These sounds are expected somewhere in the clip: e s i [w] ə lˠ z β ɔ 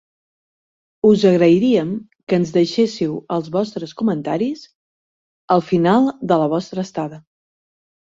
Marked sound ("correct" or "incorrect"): correct